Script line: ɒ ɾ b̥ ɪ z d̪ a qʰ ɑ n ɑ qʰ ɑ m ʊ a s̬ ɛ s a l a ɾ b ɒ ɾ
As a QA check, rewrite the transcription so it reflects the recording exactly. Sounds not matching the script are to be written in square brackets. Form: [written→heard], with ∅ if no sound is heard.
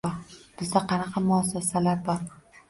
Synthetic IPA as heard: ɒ ɾ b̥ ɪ z d̪ a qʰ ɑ n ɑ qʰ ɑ m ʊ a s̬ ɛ s a l a ɾ b ɒ ɾ